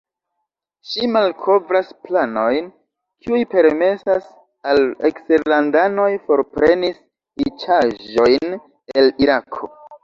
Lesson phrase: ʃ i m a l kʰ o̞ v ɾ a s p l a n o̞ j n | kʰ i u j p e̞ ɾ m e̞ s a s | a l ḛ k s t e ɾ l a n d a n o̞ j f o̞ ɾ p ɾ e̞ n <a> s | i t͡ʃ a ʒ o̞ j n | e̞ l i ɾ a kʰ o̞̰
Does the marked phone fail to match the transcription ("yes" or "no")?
yes